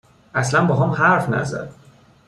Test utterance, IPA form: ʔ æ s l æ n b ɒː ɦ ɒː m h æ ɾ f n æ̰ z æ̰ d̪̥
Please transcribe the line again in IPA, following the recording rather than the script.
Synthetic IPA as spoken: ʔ æ s l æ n b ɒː ɦ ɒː m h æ ɾ f n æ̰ z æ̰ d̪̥